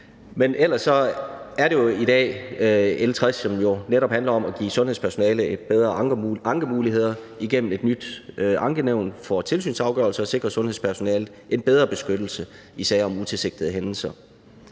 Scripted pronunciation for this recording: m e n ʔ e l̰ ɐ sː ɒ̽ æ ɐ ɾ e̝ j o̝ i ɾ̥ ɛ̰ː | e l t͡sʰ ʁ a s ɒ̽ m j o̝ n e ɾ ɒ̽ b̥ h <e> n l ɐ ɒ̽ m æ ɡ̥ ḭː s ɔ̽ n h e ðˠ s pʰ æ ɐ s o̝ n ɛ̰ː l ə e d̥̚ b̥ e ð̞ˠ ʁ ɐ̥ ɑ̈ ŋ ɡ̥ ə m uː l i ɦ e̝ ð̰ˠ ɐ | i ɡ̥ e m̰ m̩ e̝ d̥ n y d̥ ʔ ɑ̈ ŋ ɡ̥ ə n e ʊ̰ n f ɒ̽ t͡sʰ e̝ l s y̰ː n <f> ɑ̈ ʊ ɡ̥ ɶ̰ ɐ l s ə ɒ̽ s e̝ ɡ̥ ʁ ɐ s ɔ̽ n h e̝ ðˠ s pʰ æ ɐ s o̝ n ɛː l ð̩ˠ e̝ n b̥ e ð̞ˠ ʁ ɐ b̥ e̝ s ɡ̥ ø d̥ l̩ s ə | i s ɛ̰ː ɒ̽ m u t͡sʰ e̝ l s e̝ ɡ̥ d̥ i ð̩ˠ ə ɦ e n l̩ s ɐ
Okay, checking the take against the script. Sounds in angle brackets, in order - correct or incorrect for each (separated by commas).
incorrect, incorrect